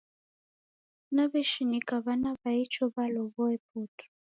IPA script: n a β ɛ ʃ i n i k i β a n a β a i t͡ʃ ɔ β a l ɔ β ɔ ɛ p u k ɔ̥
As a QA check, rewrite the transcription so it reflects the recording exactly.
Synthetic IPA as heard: n a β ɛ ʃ i n i k a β a n a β a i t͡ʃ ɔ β a l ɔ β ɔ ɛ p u t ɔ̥